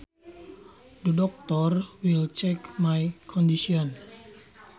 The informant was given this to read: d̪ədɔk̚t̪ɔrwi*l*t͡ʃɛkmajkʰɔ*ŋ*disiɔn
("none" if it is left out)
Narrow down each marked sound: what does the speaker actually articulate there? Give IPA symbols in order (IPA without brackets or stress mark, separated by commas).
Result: l, n